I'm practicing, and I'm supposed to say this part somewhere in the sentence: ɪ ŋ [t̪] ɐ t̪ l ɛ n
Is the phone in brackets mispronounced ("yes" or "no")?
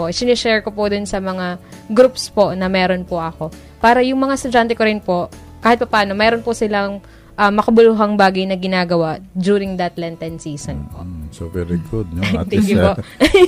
yes